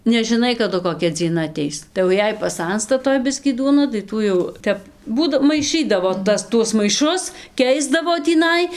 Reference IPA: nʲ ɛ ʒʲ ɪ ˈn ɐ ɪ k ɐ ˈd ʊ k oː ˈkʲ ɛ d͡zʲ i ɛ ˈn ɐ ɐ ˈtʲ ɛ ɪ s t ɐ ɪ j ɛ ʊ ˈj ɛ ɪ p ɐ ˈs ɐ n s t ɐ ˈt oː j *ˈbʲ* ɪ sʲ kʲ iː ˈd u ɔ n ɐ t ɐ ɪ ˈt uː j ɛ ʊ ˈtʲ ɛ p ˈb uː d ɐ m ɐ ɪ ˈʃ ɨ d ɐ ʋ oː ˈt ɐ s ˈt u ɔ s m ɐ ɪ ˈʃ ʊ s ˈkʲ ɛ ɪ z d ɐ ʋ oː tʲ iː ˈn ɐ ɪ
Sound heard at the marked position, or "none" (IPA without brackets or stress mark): bʲ